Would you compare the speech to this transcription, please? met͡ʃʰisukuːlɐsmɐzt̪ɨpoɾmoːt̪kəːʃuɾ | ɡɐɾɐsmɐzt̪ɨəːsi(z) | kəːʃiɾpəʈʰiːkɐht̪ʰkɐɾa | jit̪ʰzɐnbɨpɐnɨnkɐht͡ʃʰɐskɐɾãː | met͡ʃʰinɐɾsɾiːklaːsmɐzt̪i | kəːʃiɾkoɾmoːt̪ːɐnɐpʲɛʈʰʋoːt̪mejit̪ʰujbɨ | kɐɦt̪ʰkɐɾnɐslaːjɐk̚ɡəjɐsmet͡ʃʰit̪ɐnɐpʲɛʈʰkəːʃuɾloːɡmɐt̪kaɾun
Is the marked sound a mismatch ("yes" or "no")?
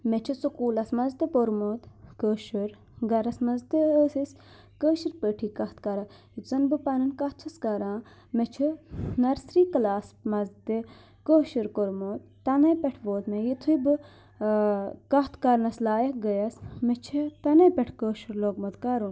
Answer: yes